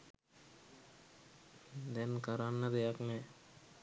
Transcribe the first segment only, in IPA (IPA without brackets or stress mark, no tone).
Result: d̪